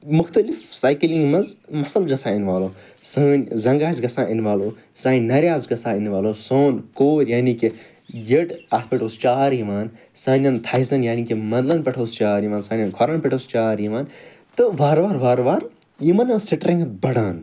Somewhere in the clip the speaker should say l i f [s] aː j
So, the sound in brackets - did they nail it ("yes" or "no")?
yes